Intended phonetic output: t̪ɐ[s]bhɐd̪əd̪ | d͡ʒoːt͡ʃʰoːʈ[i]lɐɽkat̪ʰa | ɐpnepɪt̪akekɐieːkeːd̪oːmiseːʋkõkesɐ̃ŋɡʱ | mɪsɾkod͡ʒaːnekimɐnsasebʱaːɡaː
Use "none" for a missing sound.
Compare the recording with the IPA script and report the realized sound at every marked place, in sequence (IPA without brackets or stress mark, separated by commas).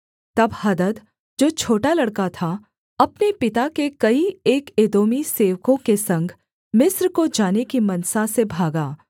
none, a